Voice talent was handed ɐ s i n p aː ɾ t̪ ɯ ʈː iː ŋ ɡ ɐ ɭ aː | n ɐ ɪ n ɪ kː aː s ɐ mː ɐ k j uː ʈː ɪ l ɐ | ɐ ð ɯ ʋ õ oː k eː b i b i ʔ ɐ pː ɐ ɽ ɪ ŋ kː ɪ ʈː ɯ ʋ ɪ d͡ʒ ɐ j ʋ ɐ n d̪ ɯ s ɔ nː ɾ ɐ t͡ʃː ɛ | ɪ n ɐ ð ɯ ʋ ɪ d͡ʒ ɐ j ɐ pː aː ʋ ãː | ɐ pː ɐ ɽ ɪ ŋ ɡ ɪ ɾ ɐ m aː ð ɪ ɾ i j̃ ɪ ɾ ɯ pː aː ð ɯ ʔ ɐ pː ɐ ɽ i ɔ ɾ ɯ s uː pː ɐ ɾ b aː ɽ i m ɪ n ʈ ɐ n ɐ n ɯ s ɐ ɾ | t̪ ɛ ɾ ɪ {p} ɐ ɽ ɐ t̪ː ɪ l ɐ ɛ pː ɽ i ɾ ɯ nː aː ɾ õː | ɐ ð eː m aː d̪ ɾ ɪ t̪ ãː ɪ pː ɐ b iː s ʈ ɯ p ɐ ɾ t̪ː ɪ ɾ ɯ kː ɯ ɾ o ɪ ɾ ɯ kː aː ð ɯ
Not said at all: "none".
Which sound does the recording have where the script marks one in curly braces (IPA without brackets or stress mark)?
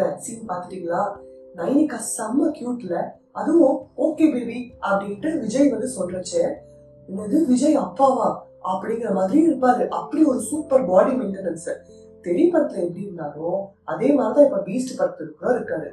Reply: p